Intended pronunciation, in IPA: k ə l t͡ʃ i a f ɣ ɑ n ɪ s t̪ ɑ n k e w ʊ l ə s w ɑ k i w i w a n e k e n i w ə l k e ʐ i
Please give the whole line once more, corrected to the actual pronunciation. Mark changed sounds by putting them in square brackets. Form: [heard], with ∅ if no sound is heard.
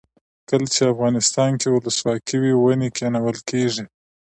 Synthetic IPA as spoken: k ə l t͡ʃ [e] a f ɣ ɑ n ɪ s t̪ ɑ n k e w ʊ l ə s w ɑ k i w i w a n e k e n [a] w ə l k e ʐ i